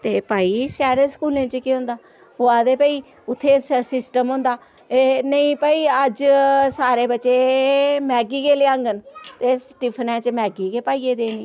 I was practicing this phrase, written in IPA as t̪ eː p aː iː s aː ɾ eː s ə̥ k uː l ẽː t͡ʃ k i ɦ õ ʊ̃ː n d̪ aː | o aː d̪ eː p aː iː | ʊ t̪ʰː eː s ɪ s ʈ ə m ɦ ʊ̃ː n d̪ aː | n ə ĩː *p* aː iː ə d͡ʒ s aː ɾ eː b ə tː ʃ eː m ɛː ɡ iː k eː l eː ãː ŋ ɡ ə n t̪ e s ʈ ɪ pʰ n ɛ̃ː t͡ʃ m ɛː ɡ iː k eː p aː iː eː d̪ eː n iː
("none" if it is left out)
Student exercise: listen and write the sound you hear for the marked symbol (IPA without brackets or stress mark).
p